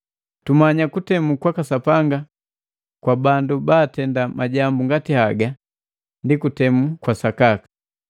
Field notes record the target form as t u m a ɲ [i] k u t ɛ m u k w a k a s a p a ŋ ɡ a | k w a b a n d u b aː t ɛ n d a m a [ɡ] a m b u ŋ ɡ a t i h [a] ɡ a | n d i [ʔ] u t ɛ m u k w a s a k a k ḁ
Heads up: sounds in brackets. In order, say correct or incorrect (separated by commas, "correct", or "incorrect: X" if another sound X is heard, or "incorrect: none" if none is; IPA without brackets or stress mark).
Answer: incorrect: a, incorrect: ɟ, correct, incorrect: k